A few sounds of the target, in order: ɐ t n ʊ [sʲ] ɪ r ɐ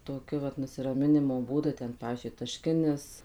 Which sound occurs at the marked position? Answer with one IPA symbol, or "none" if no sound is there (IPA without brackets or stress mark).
sʲ